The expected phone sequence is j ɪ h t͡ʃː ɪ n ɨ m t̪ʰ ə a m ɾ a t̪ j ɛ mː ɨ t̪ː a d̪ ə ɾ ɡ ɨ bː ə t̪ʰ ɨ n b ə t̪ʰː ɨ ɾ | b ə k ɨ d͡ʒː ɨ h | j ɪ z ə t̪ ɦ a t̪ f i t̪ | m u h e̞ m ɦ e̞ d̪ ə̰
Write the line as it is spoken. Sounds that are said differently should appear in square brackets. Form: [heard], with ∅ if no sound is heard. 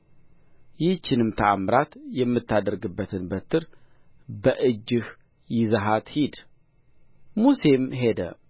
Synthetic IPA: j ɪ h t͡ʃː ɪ n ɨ m t̪ʰ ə a m ɾ a t̪ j ɛ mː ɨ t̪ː a d̪ ə ɾ ɡ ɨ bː ə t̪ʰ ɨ n b ə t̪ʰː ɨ ɾ | b ə [ʔ] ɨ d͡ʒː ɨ h | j ɪ z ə [∅] ɦ a t̪ [h] i [d̪] | m u [s] e̞ m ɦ e̞ d̪ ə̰